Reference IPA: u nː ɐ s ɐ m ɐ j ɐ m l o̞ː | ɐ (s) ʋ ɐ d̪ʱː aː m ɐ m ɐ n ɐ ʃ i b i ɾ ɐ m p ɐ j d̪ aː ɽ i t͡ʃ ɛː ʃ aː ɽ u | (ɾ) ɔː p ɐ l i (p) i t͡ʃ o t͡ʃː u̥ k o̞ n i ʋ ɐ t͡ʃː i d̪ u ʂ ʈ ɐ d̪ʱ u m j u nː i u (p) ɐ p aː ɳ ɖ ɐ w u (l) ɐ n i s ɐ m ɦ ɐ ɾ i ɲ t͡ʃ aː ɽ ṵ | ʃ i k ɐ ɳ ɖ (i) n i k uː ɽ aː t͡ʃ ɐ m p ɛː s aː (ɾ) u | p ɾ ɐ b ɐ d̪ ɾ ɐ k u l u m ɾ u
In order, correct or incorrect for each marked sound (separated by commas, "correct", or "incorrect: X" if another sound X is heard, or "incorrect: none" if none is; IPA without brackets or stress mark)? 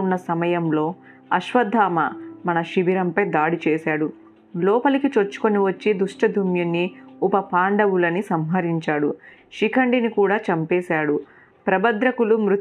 incorrect: ʃ, incorrect: l, incorrect: k, correct, correct, correct, incorrect: ɽ